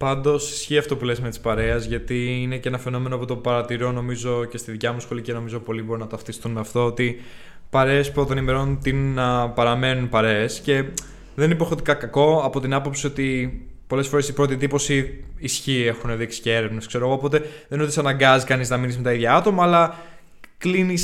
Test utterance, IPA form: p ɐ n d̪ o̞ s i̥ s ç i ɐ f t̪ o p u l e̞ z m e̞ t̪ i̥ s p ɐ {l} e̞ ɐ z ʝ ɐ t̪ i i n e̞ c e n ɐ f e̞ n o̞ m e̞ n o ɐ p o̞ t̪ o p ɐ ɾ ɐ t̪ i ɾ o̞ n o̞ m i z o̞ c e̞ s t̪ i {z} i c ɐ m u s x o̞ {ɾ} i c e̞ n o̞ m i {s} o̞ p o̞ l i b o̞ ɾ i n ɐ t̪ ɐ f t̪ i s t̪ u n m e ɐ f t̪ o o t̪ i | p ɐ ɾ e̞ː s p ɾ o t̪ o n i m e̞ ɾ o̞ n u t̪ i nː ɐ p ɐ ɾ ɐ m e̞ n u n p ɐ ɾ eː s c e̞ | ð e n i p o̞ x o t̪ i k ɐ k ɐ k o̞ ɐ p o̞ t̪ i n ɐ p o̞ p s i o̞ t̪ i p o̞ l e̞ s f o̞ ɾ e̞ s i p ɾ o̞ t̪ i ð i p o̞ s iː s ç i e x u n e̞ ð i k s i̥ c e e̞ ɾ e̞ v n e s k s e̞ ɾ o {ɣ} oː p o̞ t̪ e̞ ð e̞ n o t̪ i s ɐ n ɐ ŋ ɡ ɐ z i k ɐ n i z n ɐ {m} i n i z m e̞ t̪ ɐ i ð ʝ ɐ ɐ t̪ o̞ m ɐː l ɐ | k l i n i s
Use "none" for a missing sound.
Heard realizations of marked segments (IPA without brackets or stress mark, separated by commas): ɾ, ð, l, z, ɣ, m